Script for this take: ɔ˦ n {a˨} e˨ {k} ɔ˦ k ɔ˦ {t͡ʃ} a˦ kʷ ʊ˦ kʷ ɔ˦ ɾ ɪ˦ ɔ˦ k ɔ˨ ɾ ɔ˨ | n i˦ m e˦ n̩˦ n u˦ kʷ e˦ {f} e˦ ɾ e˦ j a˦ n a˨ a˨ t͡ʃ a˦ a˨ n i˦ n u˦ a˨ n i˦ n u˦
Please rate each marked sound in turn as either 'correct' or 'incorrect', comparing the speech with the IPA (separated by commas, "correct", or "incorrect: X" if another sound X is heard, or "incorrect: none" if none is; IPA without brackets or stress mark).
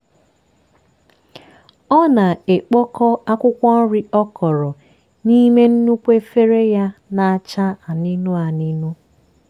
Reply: correct, incorrect: k͡p, incorrect: none, correct